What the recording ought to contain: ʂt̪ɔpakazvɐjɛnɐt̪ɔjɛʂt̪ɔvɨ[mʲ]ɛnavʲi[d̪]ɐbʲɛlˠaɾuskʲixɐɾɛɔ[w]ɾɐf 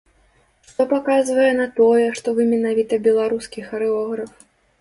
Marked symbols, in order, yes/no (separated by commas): yes, no, no